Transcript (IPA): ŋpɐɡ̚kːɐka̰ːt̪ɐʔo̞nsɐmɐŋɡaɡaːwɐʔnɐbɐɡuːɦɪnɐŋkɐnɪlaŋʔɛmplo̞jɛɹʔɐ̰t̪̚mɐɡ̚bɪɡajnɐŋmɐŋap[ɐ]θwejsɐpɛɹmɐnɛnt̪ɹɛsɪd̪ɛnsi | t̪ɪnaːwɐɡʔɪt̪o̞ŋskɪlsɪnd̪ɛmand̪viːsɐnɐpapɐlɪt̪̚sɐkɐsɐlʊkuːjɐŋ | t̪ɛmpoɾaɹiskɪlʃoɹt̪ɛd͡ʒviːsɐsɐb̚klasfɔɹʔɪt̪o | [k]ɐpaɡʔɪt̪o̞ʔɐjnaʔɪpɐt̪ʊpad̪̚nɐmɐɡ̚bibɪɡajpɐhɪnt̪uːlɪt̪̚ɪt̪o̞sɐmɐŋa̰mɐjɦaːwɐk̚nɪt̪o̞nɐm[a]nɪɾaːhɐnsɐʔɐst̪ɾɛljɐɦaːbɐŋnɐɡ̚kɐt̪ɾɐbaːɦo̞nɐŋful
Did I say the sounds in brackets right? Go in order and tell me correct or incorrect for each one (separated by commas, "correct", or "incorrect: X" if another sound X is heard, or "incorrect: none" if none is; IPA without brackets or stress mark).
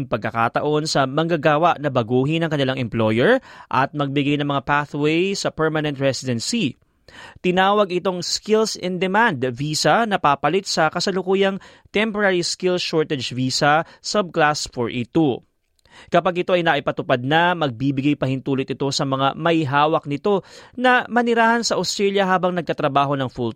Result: incorrect: a, correct, incorrect: ɐ